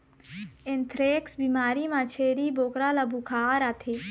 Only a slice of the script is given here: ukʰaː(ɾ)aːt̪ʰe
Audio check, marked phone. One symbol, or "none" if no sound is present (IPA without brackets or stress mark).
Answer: ɾ